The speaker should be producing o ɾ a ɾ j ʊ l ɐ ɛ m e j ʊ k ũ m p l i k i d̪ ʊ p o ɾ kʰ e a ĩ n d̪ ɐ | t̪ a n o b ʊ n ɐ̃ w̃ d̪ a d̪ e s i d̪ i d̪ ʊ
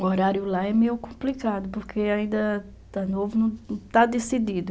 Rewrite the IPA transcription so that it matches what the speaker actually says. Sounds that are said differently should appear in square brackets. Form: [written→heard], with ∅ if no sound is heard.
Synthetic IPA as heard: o ɾ a ɾ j ʊ l [ɐ→a] ɛ m e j ʊ k [ũ→õ] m p l i k [i→a] d̪ ʊ p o ɾ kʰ e a ĩ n d̪ ɐ | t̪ a n o [b→v] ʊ n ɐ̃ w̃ [d̪→t̪] a d̪ e s i d̪ i d̪ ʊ